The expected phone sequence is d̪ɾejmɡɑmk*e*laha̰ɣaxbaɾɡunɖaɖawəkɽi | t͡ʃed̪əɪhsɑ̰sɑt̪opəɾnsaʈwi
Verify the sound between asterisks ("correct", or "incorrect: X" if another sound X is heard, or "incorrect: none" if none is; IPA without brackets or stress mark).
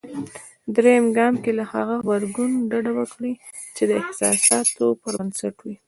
correct